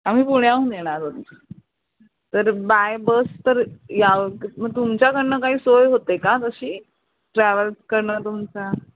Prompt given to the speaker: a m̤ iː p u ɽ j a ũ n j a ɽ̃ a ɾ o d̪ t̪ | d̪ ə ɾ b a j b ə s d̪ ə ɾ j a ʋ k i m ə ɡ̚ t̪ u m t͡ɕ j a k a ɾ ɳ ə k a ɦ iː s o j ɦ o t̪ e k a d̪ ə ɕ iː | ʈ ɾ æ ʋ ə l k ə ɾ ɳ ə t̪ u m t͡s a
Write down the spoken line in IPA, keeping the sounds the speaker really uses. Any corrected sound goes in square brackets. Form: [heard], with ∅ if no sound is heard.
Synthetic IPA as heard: a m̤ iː p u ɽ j a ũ n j [e] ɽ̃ a ɾ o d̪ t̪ | [t̪] ə ɾ b a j b ə s [t̪] ə ɾ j a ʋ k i m ə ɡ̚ t̪ u m t͡ɕ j a k [ə] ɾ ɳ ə k a ɦ iː s o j ɦ o t̪ e k a [t̪] ə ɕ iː | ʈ ɾ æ ʋ ə l k ə ɾ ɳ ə t̪ u m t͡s a